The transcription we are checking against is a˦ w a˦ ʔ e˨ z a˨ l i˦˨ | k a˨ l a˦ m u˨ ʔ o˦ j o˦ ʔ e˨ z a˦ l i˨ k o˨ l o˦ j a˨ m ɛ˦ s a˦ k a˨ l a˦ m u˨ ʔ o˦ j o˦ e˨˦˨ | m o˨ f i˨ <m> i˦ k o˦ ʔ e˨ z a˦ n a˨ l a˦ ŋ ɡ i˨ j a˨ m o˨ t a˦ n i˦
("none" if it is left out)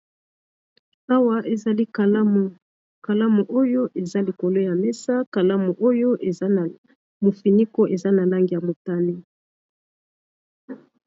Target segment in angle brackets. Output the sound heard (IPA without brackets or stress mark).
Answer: n